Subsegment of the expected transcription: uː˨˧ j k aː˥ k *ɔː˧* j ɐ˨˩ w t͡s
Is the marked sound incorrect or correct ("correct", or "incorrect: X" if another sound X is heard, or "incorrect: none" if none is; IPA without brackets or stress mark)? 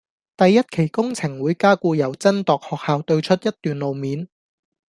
incorrect: uː˧